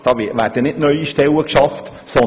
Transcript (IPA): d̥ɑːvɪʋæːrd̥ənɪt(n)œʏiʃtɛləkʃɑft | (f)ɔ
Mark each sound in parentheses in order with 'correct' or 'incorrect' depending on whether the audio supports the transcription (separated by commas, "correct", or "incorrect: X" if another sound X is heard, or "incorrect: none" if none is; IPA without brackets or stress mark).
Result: correct, incorrect: s